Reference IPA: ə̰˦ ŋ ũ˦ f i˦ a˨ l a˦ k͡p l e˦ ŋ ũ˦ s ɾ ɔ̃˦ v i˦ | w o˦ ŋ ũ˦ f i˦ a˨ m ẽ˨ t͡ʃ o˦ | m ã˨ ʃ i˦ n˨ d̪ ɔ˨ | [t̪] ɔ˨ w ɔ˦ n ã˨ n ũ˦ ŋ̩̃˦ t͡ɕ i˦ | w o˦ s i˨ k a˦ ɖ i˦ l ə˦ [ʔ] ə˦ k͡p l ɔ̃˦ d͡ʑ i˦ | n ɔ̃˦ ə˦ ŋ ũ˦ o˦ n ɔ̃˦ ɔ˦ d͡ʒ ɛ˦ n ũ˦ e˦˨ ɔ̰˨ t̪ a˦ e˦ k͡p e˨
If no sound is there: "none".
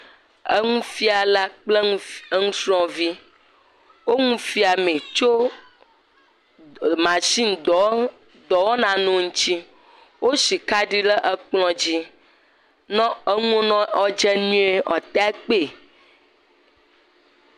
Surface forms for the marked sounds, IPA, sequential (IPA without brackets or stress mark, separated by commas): d̪, ʔ